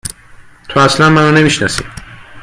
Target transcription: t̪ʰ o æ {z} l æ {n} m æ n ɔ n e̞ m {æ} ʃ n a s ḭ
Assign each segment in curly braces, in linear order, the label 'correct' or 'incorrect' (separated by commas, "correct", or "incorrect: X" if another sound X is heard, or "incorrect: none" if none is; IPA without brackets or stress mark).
incorrect: s, correct, incorrect: i